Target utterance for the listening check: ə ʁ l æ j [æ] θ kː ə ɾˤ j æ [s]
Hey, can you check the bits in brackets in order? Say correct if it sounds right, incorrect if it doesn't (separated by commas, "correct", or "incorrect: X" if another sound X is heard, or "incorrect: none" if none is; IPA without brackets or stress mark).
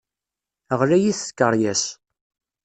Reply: incorrect: i, correct